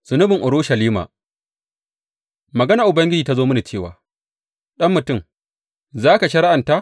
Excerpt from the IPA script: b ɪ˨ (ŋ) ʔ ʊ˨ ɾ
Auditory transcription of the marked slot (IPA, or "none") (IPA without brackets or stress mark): ŋ